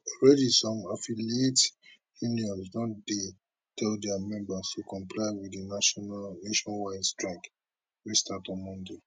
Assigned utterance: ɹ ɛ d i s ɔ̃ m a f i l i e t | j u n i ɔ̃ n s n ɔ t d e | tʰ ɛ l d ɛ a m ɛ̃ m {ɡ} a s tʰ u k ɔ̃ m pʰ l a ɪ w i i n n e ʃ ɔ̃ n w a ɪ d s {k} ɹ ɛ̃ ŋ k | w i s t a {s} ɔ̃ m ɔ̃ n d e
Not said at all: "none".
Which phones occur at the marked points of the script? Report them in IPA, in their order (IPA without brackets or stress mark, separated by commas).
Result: b, t, t